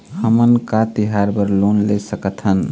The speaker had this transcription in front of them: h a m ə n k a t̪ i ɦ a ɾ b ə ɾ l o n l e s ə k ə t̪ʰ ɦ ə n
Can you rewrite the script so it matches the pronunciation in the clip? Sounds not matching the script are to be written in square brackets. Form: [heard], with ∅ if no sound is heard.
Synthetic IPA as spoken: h [ə] m ə n k a t̪ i ɦ a ɾ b ə ɾ l o n l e s ə k ə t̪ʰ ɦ ə n